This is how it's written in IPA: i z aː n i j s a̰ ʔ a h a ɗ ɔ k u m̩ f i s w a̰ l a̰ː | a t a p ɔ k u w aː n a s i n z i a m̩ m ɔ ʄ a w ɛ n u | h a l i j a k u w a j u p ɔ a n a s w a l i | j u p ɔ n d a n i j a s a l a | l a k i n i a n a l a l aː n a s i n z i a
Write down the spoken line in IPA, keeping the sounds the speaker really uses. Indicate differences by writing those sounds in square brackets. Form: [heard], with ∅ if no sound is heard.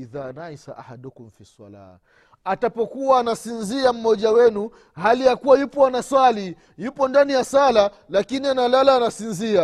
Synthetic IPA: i [ð] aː n [a] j s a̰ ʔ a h a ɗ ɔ k u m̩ f i s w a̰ l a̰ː | a t a p ɔ k u w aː n a s i n z i a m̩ m ɔ ʄ a w ɛ n u | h a l i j a k u w a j u p ɔ a n a s w a l i | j u p ɔ n d a n i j a s a l a | l a k i n i a n a l a l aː n a s i n z i a